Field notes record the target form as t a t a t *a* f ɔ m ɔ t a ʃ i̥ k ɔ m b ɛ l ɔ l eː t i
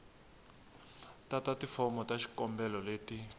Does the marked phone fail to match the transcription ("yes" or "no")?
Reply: yes